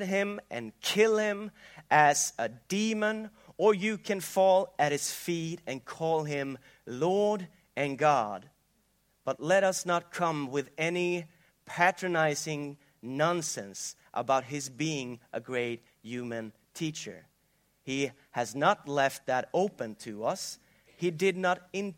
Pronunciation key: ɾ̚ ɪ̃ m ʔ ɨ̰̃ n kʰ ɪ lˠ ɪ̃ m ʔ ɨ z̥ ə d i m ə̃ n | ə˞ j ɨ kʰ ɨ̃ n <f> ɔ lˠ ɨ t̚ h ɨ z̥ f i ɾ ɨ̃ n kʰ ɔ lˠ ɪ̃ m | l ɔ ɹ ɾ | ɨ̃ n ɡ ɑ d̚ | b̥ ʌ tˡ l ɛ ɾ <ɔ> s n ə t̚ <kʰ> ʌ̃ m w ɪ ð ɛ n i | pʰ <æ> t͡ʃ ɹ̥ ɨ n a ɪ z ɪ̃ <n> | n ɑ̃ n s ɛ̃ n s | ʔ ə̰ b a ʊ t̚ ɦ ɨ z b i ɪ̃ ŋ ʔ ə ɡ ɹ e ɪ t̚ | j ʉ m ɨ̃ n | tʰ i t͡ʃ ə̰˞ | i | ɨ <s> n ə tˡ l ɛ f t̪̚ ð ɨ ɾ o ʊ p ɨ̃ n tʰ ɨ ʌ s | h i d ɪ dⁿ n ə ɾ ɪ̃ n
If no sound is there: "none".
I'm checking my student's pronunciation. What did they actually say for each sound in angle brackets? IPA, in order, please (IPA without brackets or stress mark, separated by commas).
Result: f, ʌ, kʰ, æ, ŋ, z